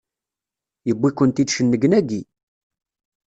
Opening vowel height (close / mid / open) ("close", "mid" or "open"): mid